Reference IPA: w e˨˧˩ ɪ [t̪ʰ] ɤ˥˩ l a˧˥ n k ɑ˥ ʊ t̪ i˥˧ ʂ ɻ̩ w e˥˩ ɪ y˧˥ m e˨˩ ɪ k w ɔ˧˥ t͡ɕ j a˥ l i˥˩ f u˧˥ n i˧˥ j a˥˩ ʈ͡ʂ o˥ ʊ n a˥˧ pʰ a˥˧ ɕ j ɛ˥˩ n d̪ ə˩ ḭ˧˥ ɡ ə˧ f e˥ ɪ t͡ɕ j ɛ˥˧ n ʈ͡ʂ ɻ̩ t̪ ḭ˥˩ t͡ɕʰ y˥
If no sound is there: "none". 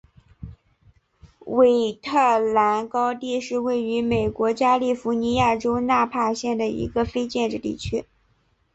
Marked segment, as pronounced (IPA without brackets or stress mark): t̪ʰ